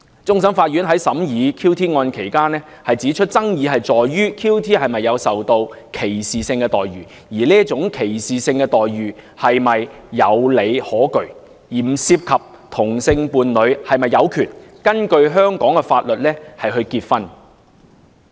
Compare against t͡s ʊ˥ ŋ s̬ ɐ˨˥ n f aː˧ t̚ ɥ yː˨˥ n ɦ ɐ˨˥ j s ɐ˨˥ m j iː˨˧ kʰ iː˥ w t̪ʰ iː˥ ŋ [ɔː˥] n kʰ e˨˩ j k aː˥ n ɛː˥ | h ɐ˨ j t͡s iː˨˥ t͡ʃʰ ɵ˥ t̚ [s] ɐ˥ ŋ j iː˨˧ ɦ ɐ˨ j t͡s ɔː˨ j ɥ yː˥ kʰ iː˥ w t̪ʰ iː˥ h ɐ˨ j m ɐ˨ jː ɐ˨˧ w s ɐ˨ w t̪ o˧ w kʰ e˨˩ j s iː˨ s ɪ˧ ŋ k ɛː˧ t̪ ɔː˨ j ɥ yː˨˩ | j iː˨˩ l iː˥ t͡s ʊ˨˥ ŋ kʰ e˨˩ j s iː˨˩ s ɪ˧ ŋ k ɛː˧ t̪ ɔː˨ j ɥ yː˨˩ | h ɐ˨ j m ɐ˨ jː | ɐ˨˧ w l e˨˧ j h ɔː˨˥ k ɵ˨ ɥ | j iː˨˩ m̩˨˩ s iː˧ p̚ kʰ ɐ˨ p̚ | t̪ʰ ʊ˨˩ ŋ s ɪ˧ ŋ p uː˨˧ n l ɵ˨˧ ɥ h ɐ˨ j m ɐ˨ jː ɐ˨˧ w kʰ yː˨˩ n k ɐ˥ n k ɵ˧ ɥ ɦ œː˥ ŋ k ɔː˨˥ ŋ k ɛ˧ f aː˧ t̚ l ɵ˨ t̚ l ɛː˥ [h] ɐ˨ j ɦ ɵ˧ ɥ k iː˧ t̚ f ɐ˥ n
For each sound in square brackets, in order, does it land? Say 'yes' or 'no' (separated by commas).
no, no, yes